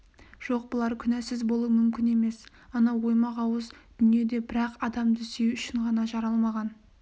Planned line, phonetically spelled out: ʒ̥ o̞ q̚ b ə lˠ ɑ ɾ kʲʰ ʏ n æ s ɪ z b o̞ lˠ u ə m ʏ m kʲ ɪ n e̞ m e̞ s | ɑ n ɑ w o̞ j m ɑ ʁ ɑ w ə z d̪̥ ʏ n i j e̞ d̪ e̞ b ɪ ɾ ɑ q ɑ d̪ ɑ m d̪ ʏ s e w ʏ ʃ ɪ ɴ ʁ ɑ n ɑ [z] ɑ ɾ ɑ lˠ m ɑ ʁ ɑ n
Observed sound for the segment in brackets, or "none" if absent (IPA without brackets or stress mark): ʒ